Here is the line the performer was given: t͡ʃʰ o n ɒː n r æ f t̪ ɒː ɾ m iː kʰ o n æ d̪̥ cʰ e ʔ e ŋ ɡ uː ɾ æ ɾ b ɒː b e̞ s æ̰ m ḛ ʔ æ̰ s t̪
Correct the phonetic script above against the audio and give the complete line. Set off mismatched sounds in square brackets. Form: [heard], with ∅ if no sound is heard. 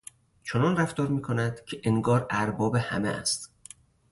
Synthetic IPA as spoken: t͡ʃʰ o n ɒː n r æ f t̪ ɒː ɾ m iː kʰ o n æ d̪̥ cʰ e ʔ e ŋ ɡ [ɒː] ɾ æ ɾ b ɒː b e̞ [h] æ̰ m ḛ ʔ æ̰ s t̪